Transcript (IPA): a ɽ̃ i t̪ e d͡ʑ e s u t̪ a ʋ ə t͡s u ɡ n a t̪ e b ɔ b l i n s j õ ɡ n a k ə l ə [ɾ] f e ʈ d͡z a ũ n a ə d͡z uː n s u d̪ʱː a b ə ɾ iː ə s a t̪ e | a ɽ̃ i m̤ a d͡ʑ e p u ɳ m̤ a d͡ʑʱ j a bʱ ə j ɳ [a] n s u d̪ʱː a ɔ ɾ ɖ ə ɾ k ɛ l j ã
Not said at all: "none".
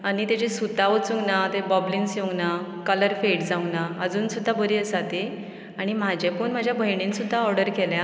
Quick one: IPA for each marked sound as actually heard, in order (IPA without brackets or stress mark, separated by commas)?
ɾ, i